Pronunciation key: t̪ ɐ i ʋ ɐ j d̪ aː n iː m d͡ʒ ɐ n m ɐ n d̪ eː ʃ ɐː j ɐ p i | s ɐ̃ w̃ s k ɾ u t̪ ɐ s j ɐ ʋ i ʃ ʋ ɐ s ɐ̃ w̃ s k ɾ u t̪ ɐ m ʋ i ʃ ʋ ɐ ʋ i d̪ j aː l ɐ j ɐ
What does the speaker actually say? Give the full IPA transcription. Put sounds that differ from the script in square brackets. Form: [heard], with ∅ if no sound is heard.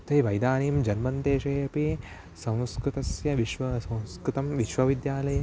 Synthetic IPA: t̪ ɐ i ʋ ɐ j d̪ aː n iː m d͡ʒ ɐ n m ɐ n [t̪] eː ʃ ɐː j ɐ p i | s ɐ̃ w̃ s k ɾ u t̪ ɐ s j ɐ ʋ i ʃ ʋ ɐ s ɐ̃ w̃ s k ɾ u t̪ ɐ m ʋ i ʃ ʋ ɐ ʋ i d̪ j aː l ɐ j ɐ